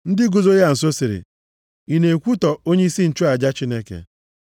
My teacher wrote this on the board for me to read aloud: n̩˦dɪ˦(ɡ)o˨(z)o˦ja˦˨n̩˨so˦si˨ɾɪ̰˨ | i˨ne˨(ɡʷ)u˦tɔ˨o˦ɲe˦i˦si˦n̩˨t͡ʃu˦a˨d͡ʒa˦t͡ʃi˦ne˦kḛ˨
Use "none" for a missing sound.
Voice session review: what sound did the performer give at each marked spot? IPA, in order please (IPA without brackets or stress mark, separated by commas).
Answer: ɡ, z, kʷ